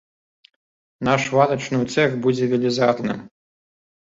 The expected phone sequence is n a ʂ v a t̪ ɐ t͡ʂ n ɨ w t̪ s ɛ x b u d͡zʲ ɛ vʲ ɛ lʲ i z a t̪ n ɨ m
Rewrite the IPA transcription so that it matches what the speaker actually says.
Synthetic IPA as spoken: n a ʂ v a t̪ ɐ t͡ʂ n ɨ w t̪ s ɛ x b u d͡zʲ ɛ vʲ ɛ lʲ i z a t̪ n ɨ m